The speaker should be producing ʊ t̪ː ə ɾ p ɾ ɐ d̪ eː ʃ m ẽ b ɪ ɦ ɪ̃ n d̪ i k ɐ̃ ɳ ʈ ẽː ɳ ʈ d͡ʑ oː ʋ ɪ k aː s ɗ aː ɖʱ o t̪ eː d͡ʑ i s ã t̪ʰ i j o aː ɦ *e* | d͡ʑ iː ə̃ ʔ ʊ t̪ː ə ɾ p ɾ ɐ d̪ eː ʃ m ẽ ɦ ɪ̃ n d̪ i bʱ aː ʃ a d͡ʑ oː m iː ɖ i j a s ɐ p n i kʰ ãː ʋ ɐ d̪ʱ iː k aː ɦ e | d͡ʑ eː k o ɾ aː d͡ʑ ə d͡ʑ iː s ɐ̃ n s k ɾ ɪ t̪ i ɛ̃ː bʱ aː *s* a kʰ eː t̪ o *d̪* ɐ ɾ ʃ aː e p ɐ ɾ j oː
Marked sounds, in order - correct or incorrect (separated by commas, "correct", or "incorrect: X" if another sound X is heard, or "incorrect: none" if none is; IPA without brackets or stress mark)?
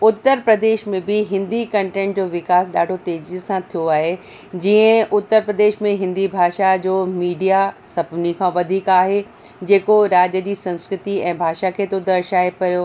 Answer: correct, incorrect: ʃ, correct